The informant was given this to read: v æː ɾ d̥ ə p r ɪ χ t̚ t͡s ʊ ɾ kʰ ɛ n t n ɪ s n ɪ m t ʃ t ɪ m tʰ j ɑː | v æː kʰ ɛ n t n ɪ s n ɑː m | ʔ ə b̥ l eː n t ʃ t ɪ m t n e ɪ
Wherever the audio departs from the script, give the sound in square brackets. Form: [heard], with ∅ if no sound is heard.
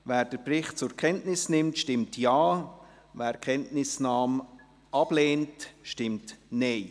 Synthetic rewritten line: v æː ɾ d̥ ə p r ɪ χ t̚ t͡s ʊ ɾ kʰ ɛ n t n ɪ s n ɪ m t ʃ t ɪ m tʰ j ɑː | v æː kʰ ɛ n t n ɪ s n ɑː m | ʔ [ɑ] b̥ l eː n t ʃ t ɪ m t n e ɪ